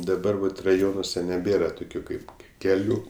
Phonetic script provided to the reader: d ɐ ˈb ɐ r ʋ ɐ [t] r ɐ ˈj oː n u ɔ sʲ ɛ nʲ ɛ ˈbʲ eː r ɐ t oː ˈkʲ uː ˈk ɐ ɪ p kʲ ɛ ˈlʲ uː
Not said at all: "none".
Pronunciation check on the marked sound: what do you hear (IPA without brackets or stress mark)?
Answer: t